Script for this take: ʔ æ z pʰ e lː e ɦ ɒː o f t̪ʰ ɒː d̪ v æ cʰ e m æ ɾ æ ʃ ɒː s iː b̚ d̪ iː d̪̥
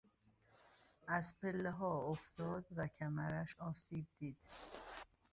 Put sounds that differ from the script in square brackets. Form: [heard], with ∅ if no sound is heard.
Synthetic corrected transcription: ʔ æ z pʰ e lː e ɦ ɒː o f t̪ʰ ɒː d̪ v æ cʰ [æ] m æ ɾ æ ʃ ɒː s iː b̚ d̪ iː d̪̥